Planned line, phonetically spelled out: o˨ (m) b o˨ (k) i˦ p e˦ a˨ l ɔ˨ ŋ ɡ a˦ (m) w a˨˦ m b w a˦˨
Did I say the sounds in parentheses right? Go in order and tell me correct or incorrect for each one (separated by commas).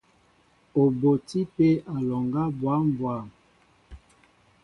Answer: incorrect, incorrect, incorrect